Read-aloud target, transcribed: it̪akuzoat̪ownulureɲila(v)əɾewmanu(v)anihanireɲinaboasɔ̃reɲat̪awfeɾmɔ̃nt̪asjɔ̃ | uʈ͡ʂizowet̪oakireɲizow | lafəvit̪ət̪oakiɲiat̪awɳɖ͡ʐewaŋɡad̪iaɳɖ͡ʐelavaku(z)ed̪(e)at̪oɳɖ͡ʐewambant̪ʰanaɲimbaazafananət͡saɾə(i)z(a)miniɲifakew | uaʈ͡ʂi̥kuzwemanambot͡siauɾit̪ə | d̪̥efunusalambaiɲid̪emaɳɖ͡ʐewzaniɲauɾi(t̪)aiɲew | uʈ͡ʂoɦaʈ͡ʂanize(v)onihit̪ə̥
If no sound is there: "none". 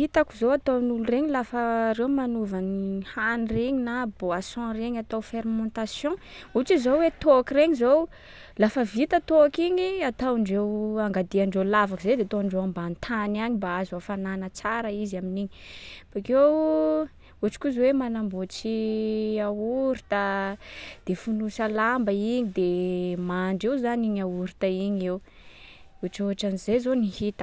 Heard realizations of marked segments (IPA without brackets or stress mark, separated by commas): f, v, z, e, i, a, t̪, z